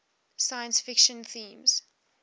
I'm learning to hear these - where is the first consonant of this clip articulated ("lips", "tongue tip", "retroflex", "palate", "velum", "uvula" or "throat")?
tongue tip